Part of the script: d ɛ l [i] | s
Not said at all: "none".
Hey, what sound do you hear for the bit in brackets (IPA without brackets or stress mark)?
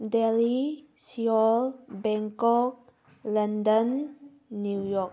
i